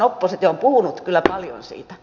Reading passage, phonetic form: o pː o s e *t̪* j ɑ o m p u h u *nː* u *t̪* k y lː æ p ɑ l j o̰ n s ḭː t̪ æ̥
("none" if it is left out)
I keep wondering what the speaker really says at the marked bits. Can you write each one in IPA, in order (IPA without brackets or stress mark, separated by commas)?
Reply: t̪, n, t̪